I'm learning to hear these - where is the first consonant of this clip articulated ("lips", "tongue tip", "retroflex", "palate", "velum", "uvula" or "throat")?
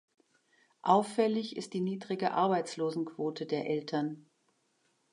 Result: throat